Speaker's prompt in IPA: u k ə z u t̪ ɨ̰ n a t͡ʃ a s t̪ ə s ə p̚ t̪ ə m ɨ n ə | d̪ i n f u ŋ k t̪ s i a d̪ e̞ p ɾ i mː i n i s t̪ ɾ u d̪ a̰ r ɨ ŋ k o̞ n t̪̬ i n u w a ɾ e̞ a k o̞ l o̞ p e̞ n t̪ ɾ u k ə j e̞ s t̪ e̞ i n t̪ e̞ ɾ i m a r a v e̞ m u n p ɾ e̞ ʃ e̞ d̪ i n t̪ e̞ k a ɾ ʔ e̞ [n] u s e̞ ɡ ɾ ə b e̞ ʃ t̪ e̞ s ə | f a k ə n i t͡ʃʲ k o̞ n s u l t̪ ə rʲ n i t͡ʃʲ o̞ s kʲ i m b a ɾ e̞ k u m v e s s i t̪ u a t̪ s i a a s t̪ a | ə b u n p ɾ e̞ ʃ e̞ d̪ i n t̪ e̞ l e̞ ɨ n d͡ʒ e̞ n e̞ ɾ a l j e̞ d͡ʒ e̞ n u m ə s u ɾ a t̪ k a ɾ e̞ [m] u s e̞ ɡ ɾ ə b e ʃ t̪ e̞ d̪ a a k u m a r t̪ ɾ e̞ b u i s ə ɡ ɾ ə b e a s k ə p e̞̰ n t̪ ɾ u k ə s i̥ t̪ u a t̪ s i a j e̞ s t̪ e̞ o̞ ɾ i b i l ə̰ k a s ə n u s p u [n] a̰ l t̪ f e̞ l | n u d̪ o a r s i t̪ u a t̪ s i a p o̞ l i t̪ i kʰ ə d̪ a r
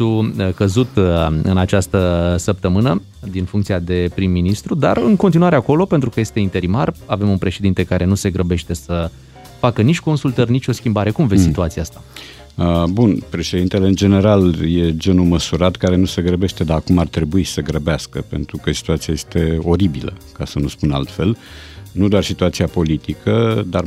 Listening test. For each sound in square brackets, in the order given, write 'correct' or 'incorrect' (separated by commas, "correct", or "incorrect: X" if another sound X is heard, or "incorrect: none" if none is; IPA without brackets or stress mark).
correct, incorrect: n, correct